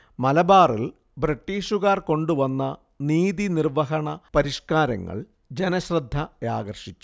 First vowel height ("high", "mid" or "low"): low